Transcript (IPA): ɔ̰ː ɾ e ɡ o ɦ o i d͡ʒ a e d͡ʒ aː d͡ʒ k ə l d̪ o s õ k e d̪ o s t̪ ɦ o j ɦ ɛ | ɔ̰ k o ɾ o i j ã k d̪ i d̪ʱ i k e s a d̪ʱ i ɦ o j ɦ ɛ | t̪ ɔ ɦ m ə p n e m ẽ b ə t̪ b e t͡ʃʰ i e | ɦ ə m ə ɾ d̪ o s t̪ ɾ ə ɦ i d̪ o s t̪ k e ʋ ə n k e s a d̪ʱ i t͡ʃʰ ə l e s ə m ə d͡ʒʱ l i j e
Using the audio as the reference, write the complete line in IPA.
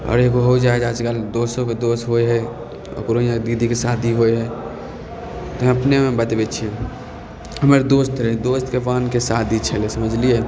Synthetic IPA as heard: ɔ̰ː ɾ e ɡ o ɦ o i d͡ʒ a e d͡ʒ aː d͡ʒ k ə l d̪ o s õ k e d̪ o s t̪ ɦ o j ɦ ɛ | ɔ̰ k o ɾ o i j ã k d̪ i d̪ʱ i k e s a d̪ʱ i ɦ o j ɦ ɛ | t̪ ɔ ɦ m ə p n e m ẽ b ə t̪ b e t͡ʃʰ i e | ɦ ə m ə ɾ d̪ o s t̪ ɾ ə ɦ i d̪ o s t̪ k e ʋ a n k e s a d̪ʱ i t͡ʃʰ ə l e s ə m ə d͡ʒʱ l i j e